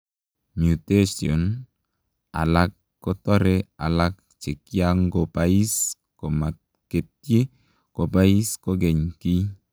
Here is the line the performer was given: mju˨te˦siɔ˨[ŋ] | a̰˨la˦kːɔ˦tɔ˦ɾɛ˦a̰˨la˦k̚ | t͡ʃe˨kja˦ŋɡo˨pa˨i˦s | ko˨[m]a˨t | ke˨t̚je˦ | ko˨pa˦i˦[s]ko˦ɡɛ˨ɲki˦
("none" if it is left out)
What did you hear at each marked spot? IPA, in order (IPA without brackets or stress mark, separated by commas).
n, m, s